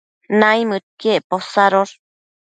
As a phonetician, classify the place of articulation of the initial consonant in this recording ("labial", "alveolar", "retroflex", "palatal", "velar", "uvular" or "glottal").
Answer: alveolar